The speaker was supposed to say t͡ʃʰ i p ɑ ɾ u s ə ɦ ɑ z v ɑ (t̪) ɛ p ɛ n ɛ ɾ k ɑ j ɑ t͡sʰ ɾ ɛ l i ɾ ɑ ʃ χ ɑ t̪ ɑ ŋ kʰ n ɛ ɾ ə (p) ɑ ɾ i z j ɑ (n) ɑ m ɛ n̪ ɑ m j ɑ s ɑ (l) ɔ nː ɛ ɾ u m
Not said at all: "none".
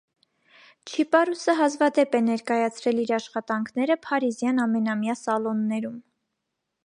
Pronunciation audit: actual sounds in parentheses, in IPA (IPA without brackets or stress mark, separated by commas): d̪, pʰ, n, l